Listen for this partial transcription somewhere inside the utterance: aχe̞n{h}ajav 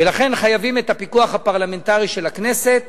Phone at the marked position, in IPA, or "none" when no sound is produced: χ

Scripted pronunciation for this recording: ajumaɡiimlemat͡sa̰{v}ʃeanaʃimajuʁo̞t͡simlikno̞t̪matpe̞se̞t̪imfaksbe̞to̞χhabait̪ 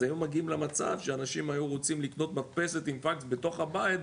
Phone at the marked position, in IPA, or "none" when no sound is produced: v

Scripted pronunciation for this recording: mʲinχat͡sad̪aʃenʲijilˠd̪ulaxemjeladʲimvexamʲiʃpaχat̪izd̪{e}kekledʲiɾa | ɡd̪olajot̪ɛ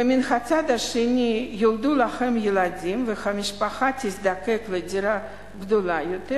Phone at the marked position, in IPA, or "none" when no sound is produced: a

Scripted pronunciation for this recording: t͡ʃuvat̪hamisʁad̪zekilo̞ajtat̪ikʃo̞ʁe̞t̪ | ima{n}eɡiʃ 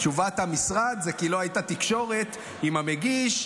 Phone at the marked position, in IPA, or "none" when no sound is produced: m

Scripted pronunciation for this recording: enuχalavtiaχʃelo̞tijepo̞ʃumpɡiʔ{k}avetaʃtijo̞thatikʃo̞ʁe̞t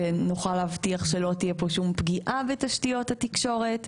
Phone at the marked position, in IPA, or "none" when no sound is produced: ʔ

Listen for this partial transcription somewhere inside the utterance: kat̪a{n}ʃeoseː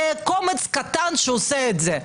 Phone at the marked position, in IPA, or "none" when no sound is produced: n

